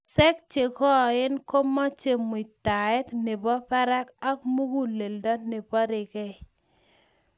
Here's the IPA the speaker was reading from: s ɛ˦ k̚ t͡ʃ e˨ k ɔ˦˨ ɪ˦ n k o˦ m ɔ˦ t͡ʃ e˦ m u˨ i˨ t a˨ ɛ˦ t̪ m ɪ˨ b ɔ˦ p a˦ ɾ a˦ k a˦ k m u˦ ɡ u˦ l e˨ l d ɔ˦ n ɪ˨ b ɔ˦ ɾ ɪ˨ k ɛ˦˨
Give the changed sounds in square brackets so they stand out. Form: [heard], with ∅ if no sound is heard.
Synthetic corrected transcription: s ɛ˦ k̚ t͡ʃ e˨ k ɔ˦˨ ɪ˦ n k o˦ m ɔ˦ t͡ʃ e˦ m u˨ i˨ t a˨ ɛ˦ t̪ [n] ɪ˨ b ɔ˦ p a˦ ɾ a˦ k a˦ k m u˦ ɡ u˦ l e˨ l d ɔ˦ n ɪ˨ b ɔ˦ ɾ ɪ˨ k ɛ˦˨